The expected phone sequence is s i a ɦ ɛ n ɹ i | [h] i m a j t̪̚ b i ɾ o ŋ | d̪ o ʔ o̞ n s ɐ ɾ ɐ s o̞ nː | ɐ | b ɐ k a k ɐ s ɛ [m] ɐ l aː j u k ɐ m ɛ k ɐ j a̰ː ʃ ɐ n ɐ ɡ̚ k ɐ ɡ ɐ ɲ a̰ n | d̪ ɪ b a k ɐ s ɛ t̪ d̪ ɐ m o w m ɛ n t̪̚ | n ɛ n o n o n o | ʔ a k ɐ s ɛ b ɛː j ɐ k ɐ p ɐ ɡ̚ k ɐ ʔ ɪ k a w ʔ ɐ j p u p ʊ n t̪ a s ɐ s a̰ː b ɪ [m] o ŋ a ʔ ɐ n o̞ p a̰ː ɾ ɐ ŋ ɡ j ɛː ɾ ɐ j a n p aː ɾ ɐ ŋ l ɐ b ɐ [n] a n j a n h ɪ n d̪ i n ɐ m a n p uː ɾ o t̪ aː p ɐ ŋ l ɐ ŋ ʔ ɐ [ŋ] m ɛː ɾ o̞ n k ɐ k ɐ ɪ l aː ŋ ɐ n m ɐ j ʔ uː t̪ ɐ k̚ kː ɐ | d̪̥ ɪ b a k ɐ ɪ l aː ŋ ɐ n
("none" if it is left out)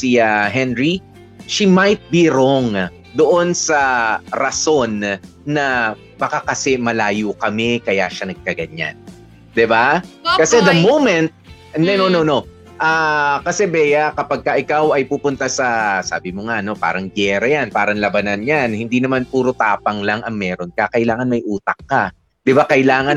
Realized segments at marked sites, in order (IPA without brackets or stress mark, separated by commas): ʃ, m, m, n, ŋ